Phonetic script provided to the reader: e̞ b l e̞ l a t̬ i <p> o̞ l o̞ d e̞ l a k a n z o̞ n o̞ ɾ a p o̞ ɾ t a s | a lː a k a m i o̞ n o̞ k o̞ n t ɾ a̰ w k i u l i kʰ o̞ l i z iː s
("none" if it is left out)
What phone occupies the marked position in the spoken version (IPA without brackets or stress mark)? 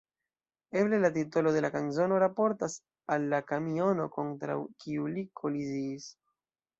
t